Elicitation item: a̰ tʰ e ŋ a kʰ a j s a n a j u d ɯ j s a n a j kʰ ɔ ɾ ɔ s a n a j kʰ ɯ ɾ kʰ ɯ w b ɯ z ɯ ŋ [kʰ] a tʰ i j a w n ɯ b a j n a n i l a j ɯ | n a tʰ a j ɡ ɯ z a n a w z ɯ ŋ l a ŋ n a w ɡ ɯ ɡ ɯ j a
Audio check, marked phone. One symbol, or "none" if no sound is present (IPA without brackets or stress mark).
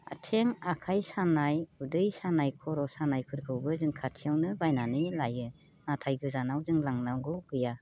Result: kʰ